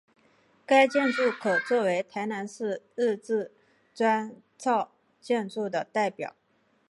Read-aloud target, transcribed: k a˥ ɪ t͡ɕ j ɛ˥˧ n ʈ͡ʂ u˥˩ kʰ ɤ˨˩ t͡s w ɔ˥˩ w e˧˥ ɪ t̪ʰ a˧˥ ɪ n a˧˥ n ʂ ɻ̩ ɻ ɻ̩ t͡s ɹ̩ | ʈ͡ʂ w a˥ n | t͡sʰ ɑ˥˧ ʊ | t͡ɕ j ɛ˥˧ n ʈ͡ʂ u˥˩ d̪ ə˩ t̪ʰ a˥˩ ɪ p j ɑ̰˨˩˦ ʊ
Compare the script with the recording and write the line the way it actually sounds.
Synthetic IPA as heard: k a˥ ɪ t͡ɕ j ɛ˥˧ n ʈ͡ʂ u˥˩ kʰ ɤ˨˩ t͡s w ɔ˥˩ w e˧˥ ɪ t̪ʰ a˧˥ ɪ n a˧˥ n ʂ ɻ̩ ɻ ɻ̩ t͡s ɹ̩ | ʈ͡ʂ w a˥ n | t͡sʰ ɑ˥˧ ʊ | t͡ɕ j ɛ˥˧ n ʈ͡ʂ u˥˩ d̪ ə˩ t̪ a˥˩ ɪ p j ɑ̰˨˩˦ ʊ